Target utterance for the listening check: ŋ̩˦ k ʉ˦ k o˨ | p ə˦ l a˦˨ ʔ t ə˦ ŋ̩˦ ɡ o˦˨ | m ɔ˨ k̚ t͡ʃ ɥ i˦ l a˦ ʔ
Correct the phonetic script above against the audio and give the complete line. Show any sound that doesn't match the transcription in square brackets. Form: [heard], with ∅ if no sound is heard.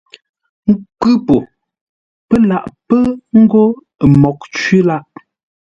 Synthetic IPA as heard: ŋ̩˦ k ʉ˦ [p] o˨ | p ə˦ l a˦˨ ʔ [p] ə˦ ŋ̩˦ ɡ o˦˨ | m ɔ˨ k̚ t͡ʃ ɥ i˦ l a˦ ʔ